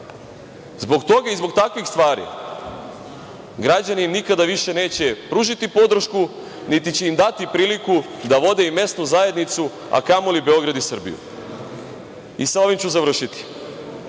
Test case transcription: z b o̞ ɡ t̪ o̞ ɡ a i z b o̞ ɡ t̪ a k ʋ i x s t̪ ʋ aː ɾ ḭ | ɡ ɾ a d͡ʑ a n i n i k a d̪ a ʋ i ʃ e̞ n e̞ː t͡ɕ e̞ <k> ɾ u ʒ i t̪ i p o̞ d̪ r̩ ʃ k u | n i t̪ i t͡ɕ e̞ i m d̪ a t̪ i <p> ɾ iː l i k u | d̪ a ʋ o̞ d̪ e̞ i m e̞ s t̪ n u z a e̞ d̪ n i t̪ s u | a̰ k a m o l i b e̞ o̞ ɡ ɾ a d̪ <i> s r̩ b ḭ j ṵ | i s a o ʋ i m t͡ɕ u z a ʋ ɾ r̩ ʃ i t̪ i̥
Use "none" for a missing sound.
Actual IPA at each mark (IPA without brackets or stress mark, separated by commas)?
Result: p, p, i